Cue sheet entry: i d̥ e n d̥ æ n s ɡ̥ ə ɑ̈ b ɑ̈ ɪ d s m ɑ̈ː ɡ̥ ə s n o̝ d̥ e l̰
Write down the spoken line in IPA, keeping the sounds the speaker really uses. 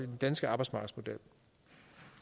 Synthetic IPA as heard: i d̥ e n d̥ æ n s ɡ̥ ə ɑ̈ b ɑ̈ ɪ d s m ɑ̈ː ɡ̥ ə s m o̝ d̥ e l̰

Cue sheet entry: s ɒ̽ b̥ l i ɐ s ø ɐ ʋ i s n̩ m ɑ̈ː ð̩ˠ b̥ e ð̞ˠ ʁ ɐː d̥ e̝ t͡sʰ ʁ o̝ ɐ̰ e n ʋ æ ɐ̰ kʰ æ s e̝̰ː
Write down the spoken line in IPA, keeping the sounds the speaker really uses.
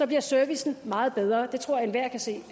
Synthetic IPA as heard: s ɒ̽ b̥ l i ɐ s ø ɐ ʋ i s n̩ m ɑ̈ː ð̩ˠ b̥ e ð̞ˠ ʁ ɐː d̥ e̝ t͡sʰ ʁ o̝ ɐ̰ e n ʋ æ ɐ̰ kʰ æ s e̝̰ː

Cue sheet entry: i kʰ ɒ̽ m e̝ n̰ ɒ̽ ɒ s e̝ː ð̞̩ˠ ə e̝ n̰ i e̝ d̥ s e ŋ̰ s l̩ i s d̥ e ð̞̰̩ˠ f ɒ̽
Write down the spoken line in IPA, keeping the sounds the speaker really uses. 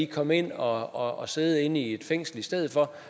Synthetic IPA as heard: i kʰ ɒ̽ m e̝ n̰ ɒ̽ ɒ s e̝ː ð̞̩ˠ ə e̝ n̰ i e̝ d̥ f e ŋ̰ s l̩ i s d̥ e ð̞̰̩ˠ f ɒ̽

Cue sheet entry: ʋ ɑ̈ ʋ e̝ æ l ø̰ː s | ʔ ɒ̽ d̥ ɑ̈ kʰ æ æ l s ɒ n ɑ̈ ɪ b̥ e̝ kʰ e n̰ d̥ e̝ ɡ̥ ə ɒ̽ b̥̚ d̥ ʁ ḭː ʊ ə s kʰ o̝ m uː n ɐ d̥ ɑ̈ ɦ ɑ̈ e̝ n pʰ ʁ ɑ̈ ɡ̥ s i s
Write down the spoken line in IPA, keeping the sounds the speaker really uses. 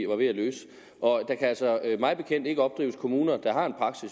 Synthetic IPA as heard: ʋ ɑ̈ ʋ e̝ æ l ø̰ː s | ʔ ɒ̽ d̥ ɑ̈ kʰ æ æ l s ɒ m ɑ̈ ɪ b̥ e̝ kʰ e n̰ d̥ e̝ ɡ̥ ə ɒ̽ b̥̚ d̥ ʁ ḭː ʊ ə s kʰ o̝ m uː n ɐ d̥ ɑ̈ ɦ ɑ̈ e̝ n pʰ ʁ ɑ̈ ɡ̥ s i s

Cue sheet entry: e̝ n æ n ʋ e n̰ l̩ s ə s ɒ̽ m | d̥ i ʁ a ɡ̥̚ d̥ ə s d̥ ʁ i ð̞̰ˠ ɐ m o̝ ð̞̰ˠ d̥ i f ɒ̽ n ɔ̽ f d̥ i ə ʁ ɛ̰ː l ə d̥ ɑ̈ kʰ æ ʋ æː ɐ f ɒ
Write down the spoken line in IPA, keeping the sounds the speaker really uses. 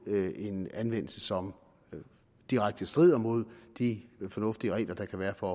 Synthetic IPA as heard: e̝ n æ n ʋ e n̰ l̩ s ə s ɒ̽ m | d̥ i ʁ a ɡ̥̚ d̥ ə s d̥ ʁ i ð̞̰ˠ ɐ m o̝ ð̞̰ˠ d̥ i f ɒ̽ n ɔ̽ f d̥ i ə ʁ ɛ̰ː l ɐ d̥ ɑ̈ kʰ æ ʋ æː ɐ f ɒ

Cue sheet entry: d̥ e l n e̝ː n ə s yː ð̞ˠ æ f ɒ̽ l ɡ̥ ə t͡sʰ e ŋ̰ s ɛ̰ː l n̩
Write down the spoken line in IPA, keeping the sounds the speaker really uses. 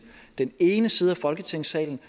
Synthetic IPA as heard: d̥ e n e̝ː n ə s iː ð̞ˠ æ f ɒ̽ l ɡ̥ ə t͡sʰ e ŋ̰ s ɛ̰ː l n̩

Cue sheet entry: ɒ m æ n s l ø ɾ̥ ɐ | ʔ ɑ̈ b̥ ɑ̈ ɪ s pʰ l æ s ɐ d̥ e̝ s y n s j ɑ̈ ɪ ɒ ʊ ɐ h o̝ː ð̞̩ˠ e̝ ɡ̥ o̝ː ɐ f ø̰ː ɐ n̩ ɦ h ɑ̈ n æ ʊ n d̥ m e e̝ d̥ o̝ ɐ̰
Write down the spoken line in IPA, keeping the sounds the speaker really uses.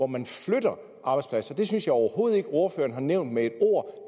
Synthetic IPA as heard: ɒ m æ n f l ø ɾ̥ ɐ | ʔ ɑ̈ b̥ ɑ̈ ɪ s pʰ l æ s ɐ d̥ e̝ s y n s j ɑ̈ ɪ ɒ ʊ ɐ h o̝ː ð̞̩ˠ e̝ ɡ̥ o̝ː ɐ f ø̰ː ɐ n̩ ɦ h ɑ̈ n e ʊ n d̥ m e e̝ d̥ o̝ ɐ̰

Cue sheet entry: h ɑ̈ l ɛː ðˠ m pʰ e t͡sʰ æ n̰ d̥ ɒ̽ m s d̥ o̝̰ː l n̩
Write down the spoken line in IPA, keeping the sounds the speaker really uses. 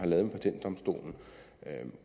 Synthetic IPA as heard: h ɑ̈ l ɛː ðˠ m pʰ æ t͡sʰ e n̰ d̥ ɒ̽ m s d̥ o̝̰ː l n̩

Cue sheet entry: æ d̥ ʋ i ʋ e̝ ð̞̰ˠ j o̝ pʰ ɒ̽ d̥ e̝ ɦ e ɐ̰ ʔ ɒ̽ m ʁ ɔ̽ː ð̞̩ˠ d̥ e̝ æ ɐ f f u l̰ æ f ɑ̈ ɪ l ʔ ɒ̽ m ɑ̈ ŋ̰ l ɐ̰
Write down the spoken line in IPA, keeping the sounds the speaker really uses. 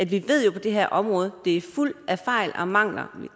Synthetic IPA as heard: æ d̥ ʋ i ʋ e̝ ð̞̰ˠ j o̝ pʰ ɒ̽ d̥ e̝ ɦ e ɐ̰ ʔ ɒ̽ m ʁ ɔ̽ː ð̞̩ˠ d̥ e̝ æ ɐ f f u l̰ æ f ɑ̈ ɪ l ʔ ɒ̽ m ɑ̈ ŋ̰ l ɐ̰

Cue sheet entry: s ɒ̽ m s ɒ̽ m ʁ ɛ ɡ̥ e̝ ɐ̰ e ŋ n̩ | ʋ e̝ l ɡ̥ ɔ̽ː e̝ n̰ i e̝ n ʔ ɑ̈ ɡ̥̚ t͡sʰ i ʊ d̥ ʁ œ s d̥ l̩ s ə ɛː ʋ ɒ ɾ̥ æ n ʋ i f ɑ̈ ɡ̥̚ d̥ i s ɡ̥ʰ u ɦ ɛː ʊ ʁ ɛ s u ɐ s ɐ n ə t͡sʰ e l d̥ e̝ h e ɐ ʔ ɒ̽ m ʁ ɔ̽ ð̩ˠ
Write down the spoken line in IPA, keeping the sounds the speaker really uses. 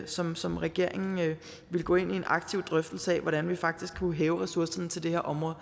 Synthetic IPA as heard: s ɒ̽ m s ɒ̽ m ʁ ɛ ɡ̥ e̝ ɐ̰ e ŋ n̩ | ʋ e̝ l ɡ̥ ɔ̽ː e̝ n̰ i e̝ n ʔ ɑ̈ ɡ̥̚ t͡sʰ i ʊ d̥ ʁ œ f d̥ l̩ s ə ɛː ʋ ɒ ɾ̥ æ n ʋ i f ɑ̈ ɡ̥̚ d̥ i s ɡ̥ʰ u ɦ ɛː ʊ ʁ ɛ s u ɐ s ɐ n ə t͡sʰ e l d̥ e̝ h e ɐ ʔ ɒ̽ m ʁ ɔ̽ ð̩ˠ

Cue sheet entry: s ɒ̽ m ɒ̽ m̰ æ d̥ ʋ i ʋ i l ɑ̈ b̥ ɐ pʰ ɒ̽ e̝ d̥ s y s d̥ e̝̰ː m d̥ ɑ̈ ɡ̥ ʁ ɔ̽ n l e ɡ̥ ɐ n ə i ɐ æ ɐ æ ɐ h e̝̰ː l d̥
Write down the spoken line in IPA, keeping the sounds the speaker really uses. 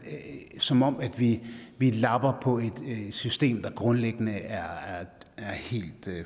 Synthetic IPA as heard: s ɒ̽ m ɒ̽ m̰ æ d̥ ʋ i ʋ i l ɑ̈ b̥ ɐ pʰ ɒ̽ e̝ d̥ s y s d̥ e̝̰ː m d̥ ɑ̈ ɡ̥ ʁ ɔ̽ n l e ɡ̥ ə n ə æ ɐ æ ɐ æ ɐ h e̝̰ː l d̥

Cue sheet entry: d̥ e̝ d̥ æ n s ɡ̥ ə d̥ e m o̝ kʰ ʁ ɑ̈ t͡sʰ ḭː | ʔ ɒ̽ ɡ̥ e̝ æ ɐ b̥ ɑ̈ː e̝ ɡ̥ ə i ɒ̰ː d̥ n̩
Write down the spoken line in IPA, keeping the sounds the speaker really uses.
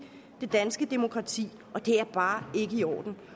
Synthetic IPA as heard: d̥ e̝ d̥ æ n s ɡ̥ ə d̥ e m o̝ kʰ ʁ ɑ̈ t͡sʰ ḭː | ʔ ɒ̽ d̥ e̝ æ ɐ b̥ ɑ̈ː e̝ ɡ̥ ə i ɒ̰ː d̥ n̩

